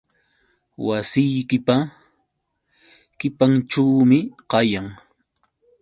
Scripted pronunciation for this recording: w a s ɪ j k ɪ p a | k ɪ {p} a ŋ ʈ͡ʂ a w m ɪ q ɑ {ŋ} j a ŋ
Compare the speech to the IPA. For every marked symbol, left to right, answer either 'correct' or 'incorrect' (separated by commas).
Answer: correct, incorrect